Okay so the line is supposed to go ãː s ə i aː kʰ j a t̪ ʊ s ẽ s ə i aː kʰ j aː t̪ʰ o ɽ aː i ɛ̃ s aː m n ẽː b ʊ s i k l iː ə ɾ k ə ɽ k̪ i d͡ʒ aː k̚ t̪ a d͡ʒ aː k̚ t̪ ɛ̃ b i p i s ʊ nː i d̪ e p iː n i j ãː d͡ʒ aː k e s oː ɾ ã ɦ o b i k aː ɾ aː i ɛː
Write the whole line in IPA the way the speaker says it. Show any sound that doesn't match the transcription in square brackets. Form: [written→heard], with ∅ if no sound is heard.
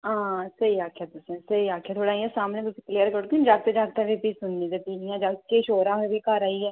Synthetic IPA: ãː s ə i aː kʰ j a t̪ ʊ s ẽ s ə i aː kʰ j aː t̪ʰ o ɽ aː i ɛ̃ s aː m n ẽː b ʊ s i k l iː ə ɾ k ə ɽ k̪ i d͡ʒ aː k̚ t̪ [a→e] d͡ʒ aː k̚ t̪ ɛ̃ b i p i s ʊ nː i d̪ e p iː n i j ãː d͡ʒ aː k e [s→ʃ] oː ɾ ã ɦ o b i k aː ɾ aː i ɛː